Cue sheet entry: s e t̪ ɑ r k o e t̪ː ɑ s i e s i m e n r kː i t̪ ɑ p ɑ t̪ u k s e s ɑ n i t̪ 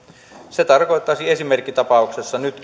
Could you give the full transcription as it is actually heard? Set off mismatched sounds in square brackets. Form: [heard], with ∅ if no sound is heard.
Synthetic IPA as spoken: s e t̪ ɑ r k o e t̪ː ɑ s i e s i m e [∅] r kː i t̪ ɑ p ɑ [∅] u k s e [sː] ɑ n [y] t̪